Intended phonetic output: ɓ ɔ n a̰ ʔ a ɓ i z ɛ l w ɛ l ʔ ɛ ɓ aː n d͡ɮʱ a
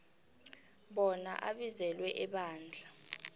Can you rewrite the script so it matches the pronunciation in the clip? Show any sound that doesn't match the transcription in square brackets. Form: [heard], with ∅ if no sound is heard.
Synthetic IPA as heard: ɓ ɔ n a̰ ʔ a ɓ i z ɛ l w ɛ [∅] ʔ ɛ ɓ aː n d͡ɮʱ a